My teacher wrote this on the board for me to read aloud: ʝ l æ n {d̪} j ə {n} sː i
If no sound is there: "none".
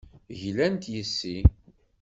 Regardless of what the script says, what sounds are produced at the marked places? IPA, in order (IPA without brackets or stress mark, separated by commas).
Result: t̪, none